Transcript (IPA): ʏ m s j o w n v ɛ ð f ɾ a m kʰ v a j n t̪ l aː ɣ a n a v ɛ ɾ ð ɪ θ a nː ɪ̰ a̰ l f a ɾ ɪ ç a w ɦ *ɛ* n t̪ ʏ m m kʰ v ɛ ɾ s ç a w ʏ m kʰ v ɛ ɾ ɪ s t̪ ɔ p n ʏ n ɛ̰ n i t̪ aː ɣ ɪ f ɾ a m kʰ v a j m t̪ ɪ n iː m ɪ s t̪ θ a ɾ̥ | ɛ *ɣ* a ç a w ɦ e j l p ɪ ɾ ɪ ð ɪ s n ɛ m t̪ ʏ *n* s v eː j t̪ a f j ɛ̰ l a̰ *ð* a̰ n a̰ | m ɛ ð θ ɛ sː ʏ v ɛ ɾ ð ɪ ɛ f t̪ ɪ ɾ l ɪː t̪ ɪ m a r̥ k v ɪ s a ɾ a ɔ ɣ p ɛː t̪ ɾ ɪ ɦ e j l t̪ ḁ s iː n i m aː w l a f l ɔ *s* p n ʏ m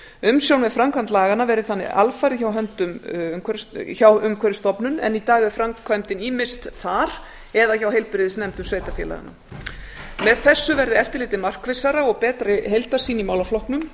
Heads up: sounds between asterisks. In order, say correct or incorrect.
incorrect: œ, incorrect: ð, incorrect: m, incorrect: ɣ, incorrect: h

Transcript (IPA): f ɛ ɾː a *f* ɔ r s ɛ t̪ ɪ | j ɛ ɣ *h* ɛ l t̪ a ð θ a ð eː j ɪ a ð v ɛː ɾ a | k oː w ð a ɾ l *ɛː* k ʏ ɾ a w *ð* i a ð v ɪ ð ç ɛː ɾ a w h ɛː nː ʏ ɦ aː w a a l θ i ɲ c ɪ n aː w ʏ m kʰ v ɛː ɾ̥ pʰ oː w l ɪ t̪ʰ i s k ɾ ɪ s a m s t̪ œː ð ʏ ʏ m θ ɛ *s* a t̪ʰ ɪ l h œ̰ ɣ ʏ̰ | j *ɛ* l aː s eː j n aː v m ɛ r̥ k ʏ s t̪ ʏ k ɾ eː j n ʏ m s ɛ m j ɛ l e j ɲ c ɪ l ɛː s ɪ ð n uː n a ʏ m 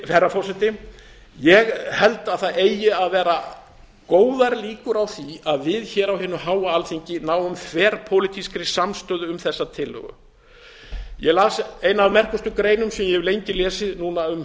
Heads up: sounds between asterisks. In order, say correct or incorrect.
correct, correct, incorrect: iː, incorrect: θ, incorrect: sː, correct

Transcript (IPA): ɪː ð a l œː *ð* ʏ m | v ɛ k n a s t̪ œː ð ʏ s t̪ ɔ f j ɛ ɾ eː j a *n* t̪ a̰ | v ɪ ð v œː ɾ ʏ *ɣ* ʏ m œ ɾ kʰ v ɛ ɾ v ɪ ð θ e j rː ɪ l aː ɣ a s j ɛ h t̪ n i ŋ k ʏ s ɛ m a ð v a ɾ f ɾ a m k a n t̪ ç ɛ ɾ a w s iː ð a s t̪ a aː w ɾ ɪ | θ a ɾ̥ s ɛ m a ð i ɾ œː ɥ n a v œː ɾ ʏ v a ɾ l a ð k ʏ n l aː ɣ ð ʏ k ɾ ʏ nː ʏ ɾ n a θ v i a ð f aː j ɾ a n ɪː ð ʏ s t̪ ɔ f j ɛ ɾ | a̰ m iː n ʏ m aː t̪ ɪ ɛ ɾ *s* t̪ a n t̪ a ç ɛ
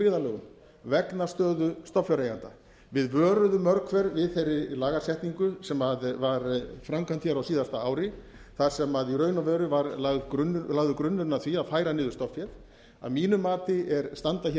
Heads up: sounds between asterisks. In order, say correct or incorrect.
incorrect: ɣ, correct, incorrect: ð, correct

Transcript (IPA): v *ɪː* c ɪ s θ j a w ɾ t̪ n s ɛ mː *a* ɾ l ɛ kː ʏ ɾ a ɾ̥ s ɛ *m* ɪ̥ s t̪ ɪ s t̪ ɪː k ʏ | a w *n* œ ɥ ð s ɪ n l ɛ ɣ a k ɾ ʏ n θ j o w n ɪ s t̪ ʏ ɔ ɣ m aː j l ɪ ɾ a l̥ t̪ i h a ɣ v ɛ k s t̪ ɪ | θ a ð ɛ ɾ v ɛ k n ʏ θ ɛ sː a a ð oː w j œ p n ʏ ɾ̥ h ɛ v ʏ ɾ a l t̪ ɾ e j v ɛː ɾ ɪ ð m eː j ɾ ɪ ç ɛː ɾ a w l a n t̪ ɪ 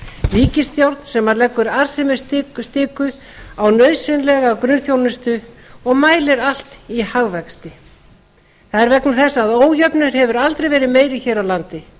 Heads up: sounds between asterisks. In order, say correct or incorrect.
incorrect: iː, correct, correct, correct

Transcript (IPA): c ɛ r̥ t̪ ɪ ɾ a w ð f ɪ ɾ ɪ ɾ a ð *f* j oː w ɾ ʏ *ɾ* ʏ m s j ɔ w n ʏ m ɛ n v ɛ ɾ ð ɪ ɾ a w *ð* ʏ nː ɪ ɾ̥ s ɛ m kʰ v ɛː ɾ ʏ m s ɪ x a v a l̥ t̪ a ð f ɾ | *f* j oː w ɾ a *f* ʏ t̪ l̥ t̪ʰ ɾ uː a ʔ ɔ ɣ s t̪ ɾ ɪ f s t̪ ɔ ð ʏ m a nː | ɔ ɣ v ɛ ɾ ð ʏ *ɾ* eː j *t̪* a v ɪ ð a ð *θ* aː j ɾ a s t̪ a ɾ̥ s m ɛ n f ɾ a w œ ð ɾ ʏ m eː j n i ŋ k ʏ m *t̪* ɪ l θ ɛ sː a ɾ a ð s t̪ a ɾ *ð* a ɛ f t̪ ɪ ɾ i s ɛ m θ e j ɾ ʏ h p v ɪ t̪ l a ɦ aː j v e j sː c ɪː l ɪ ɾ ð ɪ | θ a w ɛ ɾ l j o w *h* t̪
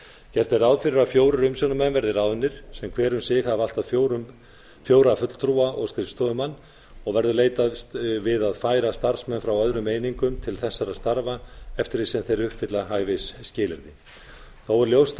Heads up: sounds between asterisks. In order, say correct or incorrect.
correct, correct, correct, correct, correct, incorrect: l, correct, incorrect: f, incorrect: t̪ʰ, incorrect: v, incorrect: s

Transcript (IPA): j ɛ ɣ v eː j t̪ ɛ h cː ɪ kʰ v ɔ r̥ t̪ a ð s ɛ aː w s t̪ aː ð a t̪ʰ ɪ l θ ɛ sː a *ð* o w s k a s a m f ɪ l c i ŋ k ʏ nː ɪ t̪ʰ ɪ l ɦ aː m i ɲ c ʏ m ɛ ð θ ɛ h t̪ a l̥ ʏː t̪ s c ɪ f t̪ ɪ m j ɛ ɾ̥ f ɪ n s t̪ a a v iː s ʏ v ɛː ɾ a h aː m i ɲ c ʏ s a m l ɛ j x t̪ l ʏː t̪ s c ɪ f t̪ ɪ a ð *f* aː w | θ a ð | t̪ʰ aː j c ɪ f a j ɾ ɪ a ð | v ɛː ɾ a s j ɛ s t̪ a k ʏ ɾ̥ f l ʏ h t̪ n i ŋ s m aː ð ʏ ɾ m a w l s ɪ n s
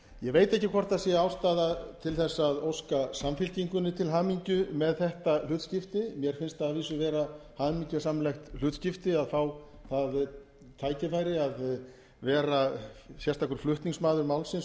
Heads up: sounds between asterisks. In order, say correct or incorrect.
correct, correct

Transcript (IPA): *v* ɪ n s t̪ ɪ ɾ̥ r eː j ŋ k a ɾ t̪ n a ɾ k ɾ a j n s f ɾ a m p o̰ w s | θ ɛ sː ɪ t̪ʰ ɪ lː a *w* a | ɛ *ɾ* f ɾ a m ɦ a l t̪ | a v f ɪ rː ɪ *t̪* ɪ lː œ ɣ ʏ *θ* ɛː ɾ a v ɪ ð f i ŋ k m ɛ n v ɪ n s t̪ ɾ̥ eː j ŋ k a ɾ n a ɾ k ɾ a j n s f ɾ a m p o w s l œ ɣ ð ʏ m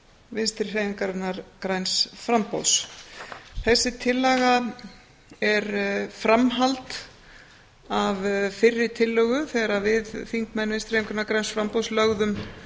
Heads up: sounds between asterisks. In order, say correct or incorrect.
correct, incorrect: ɣ, correct, incorrect: t̪ʰ, correct

